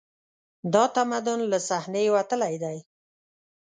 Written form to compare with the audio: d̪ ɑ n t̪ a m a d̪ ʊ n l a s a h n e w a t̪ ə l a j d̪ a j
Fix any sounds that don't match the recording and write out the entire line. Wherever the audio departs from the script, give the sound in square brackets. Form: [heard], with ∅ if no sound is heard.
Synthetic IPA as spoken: d̪ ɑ [∅] t̪ a m a d̪ ʊ n l a s a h n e w a t̪ ə l a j d̪ a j